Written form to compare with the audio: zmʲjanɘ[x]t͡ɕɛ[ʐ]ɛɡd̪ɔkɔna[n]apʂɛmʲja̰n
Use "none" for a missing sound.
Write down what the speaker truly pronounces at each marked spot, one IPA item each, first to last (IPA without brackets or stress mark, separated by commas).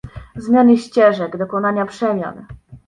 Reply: ɕ, ʐ, ɲ